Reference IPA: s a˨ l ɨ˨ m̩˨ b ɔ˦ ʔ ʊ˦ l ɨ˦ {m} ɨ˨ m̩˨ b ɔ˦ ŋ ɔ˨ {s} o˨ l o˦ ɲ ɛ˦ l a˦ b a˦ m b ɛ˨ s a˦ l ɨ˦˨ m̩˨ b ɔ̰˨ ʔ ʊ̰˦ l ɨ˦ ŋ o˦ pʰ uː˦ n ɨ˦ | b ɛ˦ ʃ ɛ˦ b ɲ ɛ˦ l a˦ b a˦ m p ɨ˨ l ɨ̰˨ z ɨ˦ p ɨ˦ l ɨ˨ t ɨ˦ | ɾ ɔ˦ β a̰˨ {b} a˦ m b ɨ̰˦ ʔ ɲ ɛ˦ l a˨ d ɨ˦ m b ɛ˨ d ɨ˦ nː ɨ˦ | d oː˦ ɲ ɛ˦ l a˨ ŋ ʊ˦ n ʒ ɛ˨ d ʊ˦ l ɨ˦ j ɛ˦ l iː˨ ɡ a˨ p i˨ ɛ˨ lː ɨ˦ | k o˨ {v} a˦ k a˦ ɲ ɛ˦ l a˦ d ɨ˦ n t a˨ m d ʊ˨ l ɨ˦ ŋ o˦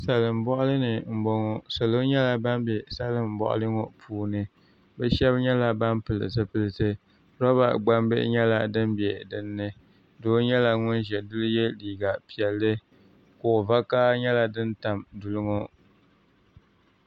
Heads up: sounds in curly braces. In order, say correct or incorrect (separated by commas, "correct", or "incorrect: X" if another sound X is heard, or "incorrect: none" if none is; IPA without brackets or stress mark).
incorrect: n, correct, incorrect: ɡ͡b, correct